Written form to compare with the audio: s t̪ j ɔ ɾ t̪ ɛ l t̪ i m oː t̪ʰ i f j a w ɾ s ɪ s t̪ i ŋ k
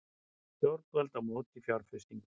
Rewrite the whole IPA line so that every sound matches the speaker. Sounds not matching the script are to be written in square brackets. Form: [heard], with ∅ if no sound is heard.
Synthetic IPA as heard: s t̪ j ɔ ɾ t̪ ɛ l t̪ [a] m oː [t̪] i f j a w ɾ [f] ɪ s t̪ i ŋ k